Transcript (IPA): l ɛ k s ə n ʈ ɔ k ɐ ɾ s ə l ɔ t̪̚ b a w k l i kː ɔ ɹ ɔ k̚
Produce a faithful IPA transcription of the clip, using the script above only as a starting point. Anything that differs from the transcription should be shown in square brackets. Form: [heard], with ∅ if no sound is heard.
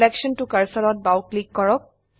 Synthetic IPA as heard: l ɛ k [ʃ] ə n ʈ [u] k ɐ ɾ s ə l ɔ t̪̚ b a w k l i kː ɔ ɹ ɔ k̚